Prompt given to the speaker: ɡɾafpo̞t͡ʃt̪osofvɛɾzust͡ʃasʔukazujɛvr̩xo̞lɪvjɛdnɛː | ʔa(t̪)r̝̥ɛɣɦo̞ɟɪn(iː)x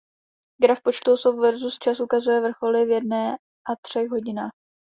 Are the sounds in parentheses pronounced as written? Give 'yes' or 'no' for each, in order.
yes, no

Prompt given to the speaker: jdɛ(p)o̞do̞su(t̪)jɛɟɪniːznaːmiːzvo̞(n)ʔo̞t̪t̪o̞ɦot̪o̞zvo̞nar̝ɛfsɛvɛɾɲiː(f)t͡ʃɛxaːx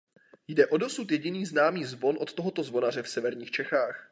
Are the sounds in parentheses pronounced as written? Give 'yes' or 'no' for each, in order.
no, yes, yes, no

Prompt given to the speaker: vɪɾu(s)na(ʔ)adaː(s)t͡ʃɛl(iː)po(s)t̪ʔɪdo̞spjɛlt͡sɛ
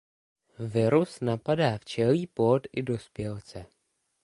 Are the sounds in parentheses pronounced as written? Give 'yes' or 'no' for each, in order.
yes, no, no, yes, no

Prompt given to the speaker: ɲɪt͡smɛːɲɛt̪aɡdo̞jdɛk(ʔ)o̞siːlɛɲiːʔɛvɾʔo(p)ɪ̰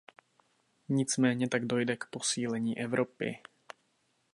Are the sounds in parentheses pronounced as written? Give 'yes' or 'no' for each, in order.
no, yes

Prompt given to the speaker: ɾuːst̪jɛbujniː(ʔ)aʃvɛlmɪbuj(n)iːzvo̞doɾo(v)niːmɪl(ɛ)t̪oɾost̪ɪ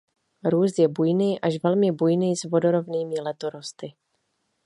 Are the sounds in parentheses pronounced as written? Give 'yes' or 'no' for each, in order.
yes, yes, yes, yes

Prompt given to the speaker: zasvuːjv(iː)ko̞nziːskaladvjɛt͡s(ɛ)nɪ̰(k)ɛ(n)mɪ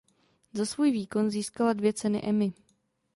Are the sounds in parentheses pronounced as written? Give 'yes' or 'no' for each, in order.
yes, yes, no, no

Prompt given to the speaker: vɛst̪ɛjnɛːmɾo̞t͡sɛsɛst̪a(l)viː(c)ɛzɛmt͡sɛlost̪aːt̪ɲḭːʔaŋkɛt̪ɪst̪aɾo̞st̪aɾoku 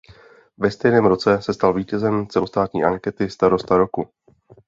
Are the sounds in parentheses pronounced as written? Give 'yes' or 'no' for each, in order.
yes, yes

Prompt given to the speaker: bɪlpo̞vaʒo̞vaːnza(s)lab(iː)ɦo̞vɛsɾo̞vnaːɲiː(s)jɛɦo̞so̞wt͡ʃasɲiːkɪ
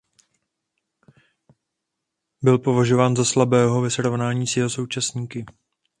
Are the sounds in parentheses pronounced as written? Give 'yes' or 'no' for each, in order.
yes, no, yes

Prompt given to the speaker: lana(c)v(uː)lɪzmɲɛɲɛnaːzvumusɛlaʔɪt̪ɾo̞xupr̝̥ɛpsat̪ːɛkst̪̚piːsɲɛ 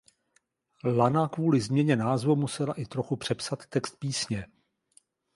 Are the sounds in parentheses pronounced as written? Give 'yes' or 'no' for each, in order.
no, yes

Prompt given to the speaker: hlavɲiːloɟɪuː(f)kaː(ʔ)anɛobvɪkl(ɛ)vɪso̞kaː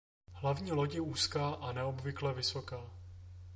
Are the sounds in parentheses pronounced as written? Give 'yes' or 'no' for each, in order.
no, yes, yes

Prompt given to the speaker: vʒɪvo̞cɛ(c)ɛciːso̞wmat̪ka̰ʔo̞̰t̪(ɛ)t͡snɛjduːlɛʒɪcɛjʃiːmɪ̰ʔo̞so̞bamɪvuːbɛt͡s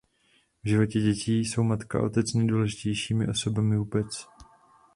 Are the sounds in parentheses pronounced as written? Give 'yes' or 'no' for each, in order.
no, yes

